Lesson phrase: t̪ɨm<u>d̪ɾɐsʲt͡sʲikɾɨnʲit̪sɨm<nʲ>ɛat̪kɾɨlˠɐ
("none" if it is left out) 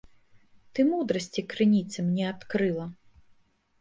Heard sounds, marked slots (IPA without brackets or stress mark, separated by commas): u, nʲ